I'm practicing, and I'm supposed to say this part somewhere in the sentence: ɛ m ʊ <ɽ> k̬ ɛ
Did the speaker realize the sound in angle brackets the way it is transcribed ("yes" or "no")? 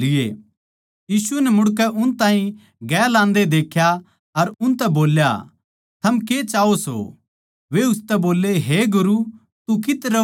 yes